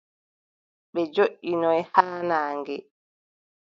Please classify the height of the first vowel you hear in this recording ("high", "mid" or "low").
mid